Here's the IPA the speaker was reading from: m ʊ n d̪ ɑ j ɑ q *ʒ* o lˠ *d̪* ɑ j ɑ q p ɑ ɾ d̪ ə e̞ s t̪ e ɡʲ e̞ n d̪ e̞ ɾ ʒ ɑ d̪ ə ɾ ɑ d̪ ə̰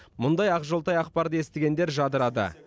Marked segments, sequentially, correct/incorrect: correct, incorrect: t̪

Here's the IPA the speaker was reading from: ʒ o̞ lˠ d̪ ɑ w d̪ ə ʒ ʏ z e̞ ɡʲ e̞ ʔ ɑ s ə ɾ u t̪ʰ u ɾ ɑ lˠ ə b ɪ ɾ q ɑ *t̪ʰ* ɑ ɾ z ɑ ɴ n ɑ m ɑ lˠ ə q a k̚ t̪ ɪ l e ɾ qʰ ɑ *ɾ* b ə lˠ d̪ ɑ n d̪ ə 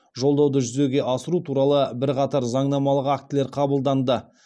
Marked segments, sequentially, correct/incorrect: incorrect: t̪, incorrect: none

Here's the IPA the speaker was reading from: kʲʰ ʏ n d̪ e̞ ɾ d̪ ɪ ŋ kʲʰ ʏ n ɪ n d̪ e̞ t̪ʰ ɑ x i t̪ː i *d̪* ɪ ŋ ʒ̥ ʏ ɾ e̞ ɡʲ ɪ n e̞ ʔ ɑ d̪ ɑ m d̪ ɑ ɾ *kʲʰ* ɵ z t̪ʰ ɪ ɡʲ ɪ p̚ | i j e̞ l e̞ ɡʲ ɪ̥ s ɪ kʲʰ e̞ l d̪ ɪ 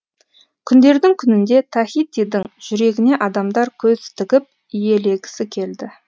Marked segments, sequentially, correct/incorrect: correct, correct

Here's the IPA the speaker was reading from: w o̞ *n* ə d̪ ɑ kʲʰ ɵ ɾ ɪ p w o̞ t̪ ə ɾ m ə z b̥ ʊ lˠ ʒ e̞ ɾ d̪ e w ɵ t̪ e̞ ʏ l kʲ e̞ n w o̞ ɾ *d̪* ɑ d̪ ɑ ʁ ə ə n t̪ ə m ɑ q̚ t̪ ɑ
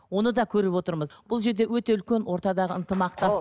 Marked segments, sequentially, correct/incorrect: correct, incorrect: t̪

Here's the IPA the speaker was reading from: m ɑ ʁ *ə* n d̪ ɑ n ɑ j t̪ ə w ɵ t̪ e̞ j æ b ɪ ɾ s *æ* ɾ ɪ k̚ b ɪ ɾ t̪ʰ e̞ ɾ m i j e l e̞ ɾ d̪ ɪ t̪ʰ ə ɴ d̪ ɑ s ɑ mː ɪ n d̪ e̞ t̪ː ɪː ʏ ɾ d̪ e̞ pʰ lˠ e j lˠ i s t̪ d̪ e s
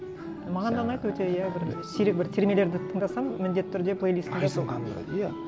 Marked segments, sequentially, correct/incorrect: incorrect: ɑ, incorrect: i

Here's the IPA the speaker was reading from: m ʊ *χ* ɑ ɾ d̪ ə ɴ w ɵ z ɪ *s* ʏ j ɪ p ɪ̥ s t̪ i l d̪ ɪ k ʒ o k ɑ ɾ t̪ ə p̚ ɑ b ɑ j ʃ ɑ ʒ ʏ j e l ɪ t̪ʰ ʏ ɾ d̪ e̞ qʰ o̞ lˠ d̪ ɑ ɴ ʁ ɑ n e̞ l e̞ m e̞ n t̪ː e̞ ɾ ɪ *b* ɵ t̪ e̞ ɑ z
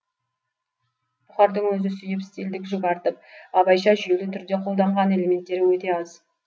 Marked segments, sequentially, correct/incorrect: correct, correct, incorrect: w

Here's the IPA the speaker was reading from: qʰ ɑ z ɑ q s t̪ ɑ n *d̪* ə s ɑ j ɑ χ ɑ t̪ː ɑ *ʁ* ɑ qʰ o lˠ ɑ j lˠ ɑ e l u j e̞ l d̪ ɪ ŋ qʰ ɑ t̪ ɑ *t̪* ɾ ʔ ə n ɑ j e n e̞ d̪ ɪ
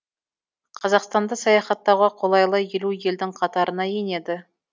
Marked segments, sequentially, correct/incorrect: correct, correct, incorrect: none

